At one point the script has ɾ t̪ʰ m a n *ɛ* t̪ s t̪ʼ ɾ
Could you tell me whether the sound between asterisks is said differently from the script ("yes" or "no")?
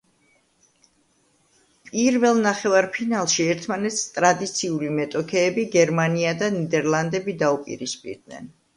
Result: no